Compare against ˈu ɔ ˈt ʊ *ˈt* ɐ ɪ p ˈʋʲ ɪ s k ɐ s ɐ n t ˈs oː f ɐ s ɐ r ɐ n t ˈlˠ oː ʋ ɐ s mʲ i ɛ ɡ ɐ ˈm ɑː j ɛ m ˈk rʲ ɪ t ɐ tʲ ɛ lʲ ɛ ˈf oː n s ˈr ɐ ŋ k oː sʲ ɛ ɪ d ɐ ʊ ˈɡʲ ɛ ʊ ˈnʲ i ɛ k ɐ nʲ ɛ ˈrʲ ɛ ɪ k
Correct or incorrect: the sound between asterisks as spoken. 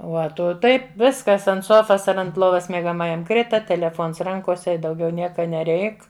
correct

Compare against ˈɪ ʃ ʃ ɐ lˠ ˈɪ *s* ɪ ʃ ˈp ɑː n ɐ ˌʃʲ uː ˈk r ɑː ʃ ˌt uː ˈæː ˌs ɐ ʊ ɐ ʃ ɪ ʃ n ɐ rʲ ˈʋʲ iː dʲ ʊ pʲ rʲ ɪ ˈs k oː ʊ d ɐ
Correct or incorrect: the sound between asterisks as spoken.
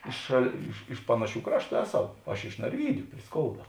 incorrect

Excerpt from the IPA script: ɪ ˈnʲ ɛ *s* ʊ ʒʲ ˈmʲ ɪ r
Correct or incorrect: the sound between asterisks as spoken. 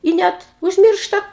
incorrect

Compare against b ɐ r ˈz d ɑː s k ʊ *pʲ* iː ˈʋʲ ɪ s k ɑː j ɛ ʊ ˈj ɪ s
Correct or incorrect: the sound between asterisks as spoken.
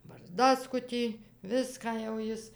incorrect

